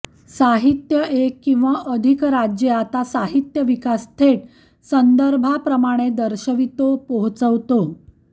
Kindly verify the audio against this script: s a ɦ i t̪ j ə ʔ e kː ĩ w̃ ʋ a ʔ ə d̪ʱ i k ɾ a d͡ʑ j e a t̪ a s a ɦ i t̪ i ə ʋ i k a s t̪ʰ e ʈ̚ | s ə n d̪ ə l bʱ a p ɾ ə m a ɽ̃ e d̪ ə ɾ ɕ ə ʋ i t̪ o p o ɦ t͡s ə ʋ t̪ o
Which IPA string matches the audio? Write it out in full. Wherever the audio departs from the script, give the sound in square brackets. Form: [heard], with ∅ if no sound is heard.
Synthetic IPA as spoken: s a ɦ i t̪ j ə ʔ e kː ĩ w̃ ʋ a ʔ ə d̪ʱ i k ɾ a d͡ʑ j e a t̪ a s a ɦ i t̪ [j] ə ʋ i k a s t̪ʰ e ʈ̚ | s ə n d̪ ə [ɾ] bʱ a p ɾ ə m a ɽ̃ e d̪ ə ɾ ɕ ə ʋ i t̪ o p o ɦ t͡s ə ʋ t̪ o